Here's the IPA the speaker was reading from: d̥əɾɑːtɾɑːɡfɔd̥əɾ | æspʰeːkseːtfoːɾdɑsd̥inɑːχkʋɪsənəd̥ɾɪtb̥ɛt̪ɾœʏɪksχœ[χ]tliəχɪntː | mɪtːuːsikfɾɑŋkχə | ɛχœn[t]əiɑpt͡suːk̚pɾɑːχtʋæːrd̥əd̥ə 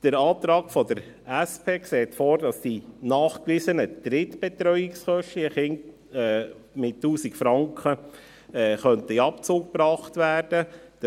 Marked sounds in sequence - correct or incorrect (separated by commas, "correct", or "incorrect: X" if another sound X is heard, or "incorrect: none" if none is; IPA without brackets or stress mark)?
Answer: incorrect: ʃ, correct